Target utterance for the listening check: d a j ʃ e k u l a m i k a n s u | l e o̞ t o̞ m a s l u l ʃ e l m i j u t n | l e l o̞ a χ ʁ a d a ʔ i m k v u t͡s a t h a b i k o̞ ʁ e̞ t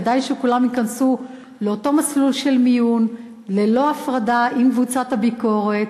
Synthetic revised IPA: d a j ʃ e k u l a m i k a n s u | l e o̞ t o̞ m a s l u l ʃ e l m i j u n | l e l o̞ a f ʁ a d a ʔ i m k v u t͡s a t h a b i k o̞ ʁ e̞ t